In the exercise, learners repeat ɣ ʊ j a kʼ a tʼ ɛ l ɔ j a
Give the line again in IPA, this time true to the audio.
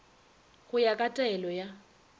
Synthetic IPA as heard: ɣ ʊ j a kʼ a tʼ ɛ l ɔ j a

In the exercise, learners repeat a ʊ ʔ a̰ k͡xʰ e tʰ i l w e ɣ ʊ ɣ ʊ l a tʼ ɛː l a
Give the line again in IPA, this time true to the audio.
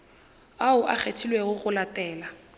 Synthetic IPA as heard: a ʊ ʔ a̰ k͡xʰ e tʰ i l w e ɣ ʊ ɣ ʊ l a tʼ ɛː l a

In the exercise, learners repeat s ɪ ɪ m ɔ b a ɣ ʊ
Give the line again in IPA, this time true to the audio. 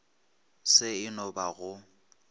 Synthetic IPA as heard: s ɪ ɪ n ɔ b a ɣ ʊ

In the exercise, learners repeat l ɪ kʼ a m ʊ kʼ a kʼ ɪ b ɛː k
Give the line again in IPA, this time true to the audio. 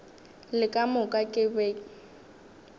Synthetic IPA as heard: l ɪ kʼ a m ʊ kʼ a kʼ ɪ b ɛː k

